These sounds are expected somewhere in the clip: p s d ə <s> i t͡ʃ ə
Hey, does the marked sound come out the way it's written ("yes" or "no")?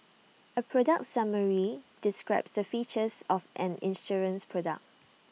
no